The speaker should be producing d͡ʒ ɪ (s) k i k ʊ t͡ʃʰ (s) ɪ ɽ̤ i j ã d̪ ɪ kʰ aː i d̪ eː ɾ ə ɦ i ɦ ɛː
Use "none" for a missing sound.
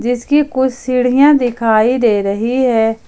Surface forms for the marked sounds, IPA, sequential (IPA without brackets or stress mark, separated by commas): s, s